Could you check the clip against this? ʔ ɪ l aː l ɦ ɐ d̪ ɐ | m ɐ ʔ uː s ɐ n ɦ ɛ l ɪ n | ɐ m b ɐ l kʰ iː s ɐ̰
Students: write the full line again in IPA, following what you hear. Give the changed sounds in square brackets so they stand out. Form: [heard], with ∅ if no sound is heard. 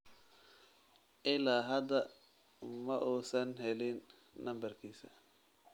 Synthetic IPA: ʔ ɪ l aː [∅] ɦ ɐ d̪ ɐ | m ɐ ʔ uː s ɐ n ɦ ɛ l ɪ [nː] | ɐ m b ɐ [r] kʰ iː s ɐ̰